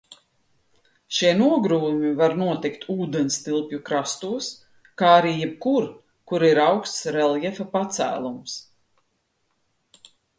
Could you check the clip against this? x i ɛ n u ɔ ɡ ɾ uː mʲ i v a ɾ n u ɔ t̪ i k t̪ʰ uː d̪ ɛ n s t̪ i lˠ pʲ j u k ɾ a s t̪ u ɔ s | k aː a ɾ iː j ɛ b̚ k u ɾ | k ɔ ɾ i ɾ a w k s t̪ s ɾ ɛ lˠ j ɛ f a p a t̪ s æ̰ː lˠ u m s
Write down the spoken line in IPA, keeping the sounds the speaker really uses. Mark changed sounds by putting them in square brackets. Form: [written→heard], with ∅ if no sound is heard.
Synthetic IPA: [x→ʃ] i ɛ n u ɔ ɡ ɾ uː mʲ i v a ɾ n u ɔ t̪ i k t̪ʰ uː d̪ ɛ n s t̪ i lˠ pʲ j u k ɾ a s t̪ u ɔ s | k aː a ɾ iː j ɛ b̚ k u ɾ | k [ɔ→u] ɾ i ɾ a w k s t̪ s ɾ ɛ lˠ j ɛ f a p a t̪ s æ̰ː lˠ u m s